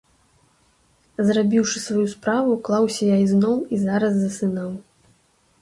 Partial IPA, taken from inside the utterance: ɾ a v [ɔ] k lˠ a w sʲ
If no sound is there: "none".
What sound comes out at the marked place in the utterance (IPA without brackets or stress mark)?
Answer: u